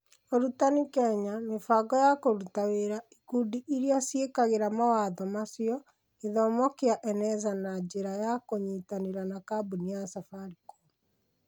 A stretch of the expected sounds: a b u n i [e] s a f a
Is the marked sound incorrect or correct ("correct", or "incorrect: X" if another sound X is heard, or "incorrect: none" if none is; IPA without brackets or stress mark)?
incorrect: a